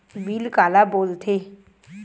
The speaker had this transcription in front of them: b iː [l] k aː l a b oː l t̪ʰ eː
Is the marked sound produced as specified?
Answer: yes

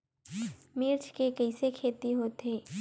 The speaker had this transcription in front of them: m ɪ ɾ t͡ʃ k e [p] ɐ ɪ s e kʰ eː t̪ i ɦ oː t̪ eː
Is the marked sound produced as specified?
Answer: no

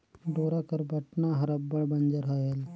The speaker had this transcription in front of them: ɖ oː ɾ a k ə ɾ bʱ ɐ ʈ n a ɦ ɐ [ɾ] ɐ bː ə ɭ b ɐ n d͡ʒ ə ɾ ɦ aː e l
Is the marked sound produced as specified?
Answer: yes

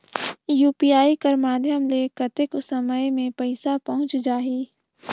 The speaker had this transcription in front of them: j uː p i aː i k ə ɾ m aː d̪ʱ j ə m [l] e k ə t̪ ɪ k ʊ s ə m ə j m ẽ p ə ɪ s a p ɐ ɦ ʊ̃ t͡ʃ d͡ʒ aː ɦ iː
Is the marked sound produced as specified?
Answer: yes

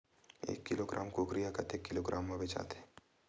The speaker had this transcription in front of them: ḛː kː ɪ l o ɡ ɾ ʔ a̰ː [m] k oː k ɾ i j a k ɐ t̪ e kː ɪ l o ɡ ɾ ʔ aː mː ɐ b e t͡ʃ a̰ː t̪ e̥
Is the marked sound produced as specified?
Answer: yes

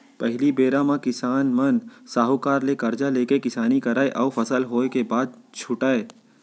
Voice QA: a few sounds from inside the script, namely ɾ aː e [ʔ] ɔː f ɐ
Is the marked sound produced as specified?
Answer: yes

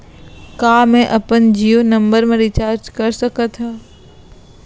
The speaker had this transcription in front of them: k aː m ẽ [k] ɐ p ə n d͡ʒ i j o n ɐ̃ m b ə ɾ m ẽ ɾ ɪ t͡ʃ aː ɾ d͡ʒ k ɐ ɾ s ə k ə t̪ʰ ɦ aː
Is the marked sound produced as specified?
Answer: no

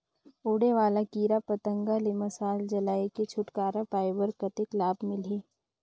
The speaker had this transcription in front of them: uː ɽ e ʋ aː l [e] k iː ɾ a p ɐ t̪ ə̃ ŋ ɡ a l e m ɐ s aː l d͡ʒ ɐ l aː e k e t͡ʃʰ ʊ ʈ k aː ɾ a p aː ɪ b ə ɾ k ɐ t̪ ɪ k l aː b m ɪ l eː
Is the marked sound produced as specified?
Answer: no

